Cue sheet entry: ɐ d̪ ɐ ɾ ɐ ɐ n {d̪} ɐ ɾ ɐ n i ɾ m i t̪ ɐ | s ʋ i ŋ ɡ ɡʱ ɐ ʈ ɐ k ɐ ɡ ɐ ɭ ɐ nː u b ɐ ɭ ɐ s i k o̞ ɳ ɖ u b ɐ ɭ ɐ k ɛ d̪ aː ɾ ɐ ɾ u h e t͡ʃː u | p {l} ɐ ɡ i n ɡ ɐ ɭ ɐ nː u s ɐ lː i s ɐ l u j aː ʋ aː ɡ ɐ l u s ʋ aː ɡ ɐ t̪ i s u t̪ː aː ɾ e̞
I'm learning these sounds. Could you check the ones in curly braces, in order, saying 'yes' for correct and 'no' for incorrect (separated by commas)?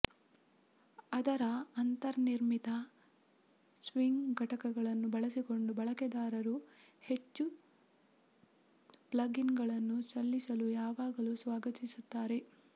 no, yes